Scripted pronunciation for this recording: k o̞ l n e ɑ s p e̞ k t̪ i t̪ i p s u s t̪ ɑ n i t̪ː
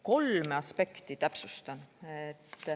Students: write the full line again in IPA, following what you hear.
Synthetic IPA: k o̞ l m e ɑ s p e̞ k t̪ i t̪ æ p s u s t̪ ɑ n e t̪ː